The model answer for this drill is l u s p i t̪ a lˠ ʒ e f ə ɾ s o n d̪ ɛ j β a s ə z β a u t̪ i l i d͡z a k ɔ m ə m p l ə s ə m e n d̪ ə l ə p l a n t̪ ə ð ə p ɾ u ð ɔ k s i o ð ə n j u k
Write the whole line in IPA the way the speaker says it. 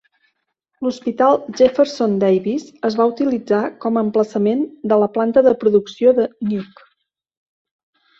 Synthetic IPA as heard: l u s p i t̪ a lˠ ʒ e f ə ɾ s o n d̪ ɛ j β i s ə z β a u t̪ i l i d͡z a k ɔ m ə m p l ə s ə m e n d̪ ə l ə p l a n t̪ ə ð ə p ɾ u ð u k s i o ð ə n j u k